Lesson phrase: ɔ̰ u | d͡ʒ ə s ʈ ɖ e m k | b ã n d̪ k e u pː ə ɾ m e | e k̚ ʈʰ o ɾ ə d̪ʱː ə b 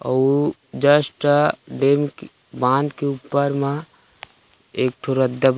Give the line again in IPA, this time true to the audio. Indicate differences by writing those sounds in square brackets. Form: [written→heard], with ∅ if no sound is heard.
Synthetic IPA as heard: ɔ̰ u | d͡ʒ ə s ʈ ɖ e m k | b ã n d̪ k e u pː ə ɾ m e | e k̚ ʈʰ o ɾ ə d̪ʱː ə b